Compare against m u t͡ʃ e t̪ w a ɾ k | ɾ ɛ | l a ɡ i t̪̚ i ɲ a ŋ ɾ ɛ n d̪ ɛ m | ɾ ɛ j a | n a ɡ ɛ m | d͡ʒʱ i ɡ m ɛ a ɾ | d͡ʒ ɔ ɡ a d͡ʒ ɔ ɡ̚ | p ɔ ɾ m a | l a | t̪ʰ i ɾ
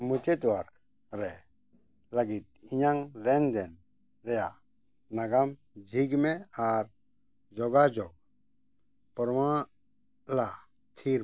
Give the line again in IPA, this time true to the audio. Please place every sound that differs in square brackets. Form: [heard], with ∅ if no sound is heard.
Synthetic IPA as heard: m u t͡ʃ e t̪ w a ɾ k | ɾ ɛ | l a ɡ i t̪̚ i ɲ a ŋ ɾ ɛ n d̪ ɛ [n] | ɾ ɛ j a | n a ɡ [a] m | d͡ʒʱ i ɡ m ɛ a ɾ | d͡ʒ ɔ ɡ a d͡ʒ ɔ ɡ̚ | p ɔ ɾ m a | l a | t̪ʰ i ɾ